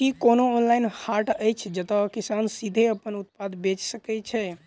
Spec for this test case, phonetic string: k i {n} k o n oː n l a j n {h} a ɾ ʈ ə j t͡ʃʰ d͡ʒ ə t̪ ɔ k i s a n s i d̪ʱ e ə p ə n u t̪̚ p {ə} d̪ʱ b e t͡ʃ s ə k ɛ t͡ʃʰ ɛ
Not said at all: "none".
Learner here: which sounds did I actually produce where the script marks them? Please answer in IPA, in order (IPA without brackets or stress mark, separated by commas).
none, h, a